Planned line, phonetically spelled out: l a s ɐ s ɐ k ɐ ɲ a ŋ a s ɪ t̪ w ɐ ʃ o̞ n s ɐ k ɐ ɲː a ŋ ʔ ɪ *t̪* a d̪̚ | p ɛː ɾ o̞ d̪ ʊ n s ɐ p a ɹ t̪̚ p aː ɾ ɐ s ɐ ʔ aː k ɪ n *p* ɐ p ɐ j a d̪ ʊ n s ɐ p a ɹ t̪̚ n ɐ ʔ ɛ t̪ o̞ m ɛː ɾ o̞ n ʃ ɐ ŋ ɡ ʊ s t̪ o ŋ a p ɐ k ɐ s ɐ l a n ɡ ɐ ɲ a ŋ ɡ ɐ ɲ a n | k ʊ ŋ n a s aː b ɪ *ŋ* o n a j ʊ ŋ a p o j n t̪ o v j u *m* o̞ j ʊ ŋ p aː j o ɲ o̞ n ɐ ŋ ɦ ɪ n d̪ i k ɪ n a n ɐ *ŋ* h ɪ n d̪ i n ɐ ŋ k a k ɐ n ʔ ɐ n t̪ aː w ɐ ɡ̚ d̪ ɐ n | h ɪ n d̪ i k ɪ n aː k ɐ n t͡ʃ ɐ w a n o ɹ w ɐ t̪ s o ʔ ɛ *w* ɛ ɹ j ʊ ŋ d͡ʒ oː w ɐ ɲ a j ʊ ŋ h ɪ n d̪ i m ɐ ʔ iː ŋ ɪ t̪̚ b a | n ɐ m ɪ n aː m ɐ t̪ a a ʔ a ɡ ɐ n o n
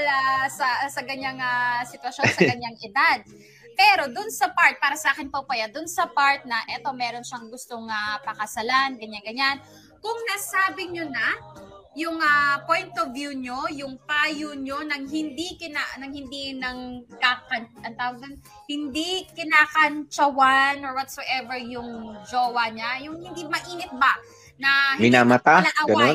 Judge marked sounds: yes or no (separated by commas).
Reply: no, yes, no, no, yes, no